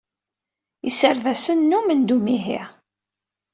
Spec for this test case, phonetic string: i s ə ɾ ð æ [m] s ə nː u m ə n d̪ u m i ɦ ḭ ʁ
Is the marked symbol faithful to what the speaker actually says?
no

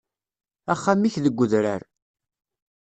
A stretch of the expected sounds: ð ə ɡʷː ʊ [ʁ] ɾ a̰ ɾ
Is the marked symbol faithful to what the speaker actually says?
no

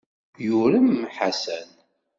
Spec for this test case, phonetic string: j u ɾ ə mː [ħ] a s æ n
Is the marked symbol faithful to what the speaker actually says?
yes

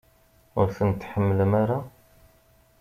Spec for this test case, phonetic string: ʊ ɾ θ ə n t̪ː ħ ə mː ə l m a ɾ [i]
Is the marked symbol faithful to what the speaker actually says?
no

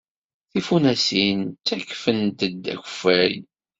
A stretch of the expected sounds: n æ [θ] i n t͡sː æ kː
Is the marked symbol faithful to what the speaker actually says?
no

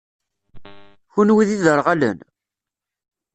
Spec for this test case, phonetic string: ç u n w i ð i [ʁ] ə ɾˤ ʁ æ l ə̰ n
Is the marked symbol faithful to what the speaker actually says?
no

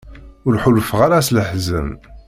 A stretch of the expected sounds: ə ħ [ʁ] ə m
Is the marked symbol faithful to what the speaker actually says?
no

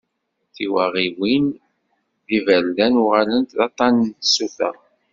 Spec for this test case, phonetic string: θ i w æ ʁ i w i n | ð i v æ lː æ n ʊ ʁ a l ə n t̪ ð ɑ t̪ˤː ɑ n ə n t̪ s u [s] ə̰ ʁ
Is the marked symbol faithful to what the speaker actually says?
no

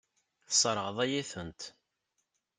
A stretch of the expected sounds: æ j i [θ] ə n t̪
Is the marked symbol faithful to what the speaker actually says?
yes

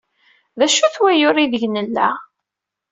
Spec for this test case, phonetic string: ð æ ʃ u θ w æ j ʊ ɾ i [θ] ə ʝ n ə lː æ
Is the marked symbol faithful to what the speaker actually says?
no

